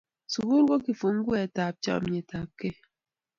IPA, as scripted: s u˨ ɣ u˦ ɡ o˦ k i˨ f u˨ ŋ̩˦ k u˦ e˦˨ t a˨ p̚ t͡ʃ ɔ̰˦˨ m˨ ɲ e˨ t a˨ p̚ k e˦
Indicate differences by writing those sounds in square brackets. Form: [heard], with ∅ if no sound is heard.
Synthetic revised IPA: s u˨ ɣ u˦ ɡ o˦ k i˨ f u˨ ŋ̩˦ [ɡ] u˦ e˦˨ t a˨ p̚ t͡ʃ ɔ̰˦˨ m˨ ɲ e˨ t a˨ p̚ k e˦